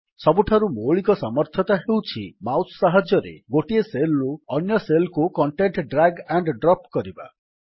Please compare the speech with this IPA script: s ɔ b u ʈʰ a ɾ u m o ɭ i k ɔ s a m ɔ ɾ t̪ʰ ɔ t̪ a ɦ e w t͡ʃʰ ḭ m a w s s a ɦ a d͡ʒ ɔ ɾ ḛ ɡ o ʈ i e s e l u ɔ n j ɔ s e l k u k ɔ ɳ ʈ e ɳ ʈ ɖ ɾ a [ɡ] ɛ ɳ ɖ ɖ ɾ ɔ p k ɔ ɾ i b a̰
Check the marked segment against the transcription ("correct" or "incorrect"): correct